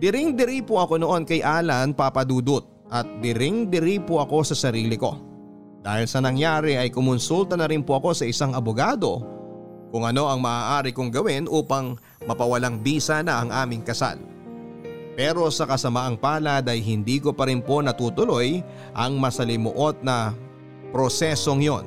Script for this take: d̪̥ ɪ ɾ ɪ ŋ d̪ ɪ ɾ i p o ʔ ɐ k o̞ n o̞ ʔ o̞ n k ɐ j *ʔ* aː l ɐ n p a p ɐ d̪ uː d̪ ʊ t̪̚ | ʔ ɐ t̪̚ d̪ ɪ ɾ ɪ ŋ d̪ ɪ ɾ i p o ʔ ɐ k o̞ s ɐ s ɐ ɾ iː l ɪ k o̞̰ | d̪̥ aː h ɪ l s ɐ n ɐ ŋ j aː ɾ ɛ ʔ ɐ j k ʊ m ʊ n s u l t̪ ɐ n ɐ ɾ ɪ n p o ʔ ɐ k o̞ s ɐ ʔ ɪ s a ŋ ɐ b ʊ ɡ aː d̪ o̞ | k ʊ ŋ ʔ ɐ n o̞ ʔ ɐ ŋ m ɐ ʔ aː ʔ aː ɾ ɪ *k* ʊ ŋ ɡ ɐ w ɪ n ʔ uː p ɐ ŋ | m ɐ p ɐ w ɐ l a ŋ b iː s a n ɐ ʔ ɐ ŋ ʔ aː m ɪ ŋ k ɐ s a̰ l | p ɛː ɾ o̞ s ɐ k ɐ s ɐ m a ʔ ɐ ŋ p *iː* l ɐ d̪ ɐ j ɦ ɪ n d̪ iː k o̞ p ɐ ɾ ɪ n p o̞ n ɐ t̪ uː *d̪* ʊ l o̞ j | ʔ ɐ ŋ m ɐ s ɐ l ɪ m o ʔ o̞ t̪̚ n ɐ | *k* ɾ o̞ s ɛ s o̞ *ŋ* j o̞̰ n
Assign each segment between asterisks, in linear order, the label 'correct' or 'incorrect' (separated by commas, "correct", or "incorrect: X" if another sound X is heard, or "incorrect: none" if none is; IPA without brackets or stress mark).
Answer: correct, correct, incorrect: aː, incorrect: t̪, incorrect: p, correct